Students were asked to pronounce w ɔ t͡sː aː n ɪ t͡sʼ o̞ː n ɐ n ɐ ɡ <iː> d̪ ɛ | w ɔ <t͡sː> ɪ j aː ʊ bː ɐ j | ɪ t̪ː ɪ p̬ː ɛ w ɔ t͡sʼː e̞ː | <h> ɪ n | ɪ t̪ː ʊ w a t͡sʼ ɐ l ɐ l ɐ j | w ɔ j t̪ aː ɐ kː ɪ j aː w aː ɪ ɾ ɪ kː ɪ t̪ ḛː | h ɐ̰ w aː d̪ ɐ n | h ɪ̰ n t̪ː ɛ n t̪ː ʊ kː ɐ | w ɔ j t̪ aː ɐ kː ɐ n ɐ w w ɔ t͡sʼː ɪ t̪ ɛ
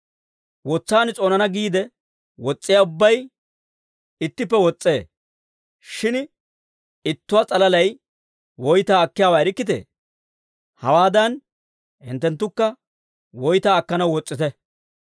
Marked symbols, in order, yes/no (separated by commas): yes, no, no